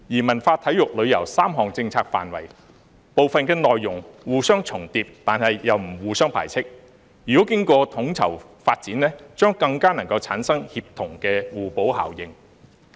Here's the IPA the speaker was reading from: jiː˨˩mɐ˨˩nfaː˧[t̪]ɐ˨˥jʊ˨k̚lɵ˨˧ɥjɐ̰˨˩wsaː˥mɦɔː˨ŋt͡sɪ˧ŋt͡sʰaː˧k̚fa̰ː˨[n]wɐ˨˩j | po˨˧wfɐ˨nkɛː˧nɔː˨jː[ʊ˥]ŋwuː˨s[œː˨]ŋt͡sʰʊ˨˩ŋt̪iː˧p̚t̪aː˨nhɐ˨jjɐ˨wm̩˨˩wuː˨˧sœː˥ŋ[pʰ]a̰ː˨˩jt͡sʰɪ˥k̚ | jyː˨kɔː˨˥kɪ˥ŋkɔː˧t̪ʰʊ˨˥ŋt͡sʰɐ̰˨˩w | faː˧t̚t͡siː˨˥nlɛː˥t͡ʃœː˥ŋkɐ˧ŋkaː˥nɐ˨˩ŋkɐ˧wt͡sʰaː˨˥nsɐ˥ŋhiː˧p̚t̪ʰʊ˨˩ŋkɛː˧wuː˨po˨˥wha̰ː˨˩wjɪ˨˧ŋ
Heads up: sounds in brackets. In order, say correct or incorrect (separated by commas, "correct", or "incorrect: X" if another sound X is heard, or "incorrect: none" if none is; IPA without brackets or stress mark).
incorrect: t̪ʰ, correct, incorrect: ʊ˨˩, incorrect: œː˥, correct